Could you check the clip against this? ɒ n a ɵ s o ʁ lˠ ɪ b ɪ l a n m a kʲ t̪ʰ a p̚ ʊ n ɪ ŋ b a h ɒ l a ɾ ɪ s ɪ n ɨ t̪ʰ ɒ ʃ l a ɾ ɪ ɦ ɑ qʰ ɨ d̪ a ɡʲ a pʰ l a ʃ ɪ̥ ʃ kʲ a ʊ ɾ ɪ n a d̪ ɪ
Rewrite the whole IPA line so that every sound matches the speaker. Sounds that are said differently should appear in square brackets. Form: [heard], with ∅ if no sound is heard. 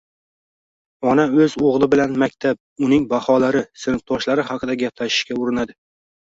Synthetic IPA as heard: ɒ n a ɵ [z] o ʁ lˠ ɪ b ɪ l a n m a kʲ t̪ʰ a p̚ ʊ n ɪ ŋ b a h ɒ l a ɾ ɪ s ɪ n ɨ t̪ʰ ɒ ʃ l a ɾ ɪ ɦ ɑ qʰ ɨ d̪ a ɡʲ a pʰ l a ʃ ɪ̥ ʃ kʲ a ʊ ɾ ɪ n a d̪ ɪ